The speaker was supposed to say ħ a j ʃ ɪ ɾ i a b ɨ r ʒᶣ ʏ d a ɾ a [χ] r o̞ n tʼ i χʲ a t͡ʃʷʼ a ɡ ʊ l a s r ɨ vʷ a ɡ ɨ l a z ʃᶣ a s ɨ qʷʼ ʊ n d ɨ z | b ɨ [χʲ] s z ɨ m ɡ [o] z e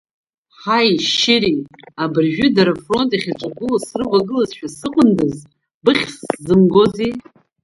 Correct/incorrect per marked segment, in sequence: incorrect: f, correct, correct

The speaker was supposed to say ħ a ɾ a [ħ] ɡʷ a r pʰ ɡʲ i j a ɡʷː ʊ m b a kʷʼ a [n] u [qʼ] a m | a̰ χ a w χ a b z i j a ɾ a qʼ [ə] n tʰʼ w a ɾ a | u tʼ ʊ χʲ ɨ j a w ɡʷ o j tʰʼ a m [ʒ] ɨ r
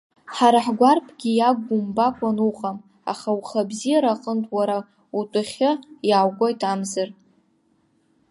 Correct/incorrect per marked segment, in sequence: correct, correct, correct, correct, incorrect: z

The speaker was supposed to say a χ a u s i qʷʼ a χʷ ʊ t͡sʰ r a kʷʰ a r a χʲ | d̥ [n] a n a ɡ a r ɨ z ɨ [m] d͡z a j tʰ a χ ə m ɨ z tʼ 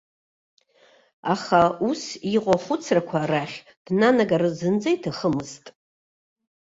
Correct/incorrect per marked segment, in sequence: correct, incorrect: n

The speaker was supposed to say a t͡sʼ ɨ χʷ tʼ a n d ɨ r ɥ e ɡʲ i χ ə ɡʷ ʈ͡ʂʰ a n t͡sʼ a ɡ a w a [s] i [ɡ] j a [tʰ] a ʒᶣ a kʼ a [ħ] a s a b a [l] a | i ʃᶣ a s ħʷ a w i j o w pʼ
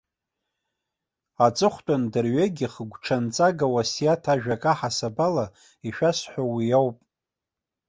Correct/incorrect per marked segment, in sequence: correct, incorrect: none, correct, correct, correct

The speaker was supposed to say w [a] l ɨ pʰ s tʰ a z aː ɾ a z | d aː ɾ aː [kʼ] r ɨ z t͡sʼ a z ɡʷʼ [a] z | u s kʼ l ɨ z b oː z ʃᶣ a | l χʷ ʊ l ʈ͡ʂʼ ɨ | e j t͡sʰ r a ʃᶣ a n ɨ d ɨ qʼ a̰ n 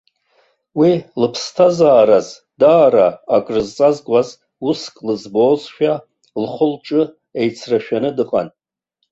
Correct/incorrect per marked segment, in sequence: incorrect: i, correct, correct

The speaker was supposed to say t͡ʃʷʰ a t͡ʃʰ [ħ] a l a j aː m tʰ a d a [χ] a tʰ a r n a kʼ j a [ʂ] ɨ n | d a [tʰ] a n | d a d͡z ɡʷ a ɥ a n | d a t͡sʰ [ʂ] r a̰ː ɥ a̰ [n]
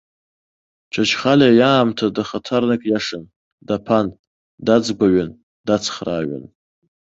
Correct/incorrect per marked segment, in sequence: incorrect: χ, correct, correct, incorrect: pʰ, incorrect: χ, correct

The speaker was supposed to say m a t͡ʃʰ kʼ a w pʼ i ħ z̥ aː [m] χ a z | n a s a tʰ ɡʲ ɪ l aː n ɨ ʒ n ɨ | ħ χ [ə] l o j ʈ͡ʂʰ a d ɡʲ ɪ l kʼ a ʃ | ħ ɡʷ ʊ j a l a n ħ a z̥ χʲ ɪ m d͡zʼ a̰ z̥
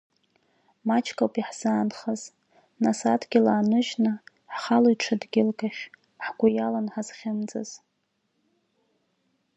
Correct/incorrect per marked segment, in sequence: incorrect: n, incorrect: a

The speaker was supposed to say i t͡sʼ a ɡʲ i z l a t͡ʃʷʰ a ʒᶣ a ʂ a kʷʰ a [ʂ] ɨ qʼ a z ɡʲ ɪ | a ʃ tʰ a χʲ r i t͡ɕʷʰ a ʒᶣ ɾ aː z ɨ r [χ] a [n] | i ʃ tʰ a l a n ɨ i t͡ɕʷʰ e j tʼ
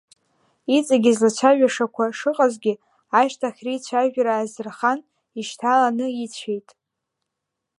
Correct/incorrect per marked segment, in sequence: correct, correct, correct

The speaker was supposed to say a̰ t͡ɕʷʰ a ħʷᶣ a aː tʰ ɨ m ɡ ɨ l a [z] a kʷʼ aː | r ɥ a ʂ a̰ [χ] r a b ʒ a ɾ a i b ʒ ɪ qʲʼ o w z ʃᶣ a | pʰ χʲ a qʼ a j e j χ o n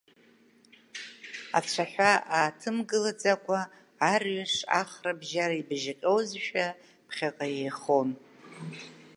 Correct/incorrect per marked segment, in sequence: incorrect: d͡z, correct

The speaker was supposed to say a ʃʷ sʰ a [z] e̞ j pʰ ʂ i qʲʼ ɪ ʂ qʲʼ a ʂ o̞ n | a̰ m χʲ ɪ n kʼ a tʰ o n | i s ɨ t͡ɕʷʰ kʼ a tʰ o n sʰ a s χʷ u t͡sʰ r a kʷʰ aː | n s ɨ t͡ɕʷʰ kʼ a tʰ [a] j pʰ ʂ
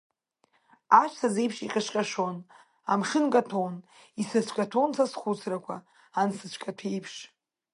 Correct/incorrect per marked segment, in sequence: correct, incorrect: e

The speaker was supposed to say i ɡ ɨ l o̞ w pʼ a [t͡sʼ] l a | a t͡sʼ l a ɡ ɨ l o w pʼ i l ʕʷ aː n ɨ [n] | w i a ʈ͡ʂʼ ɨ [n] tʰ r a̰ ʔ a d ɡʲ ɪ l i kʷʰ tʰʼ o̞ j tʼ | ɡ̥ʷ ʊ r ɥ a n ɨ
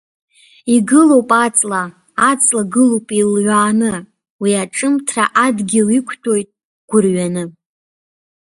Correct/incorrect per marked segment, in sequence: correct, incorrect: none, incorrect: m

